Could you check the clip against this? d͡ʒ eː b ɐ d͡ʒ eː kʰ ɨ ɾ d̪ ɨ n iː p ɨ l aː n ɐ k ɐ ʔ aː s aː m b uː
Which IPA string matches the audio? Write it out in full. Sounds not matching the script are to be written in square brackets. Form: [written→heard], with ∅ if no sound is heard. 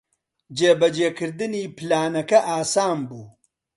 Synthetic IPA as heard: d͡ʒ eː b ɐ d͡ʒ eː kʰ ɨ ɾ d̪ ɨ n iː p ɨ l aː n ɐ k ɐ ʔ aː s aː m b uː